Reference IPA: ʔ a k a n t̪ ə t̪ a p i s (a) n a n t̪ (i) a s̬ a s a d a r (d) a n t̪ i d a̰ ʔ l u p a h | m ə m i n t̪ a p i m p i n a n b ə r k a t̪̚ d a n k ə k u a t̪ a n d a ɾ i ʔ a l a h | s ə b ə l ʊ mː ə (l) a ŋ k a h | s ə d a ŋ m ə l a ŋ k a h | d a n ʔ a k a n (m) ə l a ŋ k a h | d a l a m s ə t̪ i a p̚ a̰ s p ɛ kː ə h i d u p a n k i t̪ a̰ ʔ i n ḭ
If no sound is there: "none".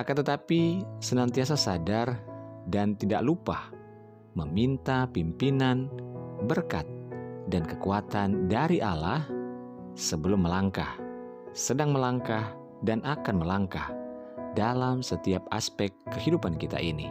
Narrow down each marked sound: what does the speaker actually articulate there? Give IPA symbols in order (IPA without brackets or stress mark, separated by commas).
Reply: ə, i, d, l, m